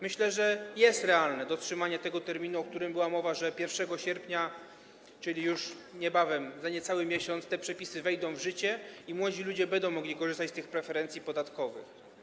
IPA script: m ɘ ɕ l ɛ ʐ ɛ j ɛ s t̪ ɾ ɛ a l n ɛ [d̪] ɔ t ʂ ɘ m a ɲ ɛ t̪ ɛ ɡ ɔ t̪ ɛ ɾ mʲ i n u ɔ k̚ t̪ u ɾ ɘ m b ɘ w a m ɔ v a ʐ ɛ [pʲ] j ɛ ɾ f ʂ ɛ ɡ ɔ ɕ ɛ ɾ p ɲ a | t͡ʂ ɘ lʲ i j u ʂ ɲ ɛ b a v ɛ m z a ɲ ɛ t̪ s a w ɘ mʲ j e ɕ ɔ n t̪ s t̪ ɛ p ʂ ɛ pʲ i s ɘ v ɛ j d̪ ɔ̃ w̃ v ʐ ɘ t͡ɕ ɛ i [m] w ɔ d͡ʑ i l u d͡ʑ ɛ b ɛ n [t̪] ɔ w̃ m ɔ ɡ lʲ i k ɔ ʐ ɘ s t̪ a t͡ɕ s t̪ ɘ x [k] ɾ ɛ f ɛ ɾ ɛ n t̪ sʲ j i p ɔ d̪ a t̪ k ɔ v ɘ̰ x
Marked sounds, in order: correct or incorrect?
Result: correct, correct, correct, incorrect, incorrect

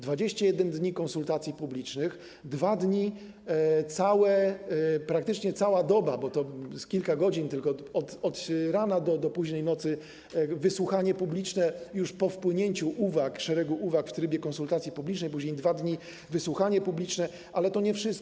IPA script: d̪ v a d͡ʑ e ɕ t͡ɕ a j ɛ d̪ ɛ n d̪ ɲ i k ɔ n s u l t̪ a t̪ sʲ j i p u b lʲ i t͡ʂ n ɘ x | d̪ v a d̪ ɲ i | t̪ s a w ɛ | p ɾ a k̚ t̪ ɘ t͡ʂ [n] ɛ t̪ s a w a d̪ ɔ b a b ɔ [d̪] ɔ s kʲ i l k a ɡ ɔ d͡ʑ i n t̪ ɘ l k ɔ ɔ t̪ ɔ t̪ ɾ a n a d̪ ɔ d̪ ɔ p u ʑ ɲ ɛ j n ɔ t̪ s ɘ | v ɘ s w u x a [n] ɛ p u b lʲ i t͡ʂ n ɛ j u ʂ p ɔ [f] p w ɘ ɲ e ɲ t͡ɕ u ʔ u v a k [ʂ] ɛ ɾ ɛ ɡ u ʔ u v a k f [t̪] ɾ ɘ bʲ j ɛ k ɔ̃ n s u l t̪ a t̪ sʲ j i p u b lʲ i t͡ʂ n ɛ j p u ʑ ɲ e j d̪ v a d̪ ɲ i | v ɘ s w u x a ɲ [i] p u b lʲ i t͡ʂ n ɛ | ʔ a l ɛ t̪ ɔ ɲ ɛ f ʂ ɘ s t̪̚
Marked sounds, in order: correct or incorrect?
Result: incorrect, incorrect, incorrect, correct, correct, correct, incorrect

